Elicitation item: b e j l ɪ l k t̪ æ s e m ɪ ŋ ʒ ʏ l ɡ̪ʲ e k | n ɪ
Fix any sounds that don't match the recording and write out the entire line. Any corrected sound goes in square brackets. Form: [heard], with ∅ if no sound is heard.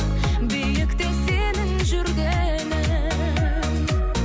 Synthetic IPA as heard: b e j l ɪ [∅] k t̪ [e] s e [n] ɪ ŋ ʒ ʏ [ɾ] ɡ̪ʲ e [∅] | n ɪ